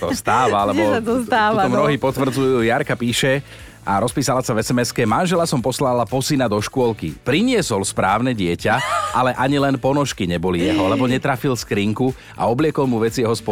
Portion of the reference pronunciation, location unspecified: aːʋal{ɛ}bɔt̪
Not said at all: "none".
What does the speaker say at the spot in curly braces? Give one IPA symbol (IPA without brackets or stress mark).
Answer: ɛ